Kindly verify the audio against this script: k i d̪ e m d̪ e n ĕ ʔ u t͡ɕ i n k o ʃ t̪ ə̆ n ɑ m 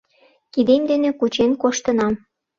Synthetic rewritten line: k i d̪ e m d̪ e n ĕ k u t͡ɕ e n k o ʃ t̪ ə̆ n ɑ m